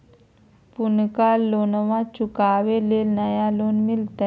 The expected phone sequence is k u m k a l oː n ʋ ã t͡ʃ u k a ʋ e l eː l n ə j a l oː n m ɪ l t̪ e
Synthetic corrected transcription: p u n k a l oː n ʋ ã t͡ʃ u k a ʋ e l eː l n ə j a l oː n m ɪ l t̪ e